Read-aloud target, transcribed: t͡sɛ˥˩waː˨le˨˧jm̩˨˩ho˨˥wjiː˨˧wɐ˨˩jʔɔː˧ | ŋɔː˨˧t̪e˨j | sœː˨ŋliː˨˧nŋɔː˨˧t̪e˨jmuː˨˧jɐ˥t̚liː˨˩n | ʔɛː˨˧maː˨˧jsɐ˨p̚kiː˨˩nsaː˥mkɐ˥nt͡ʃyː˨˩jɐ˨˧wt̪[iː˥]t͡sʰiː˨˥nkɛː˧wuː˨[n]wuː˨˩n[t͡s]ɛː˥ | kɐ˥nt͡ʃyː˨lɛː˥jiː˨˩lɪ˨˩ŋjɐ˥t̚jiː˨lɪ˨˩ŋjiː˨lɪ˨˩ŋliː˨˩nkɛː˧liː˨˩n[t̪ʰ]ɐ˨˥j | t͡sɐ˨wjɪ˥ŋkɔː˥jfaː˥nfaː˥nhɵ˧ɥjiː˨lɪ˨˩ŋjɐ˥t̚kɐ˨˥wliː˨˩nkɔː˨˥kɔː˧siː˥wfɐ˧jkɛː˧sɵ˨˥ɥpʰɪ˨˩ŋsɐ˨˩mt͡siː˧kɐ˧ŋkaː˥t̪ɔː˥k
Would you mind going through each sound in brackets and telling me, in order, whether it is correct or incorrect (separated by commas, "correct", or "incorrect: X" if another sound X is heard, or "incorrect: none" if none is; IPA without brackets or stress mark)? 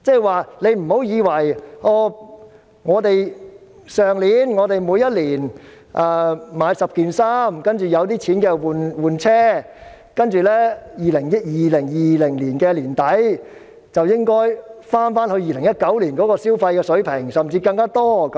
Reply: correct, correct, incorrect: t͡sʰ, incorrect: t̪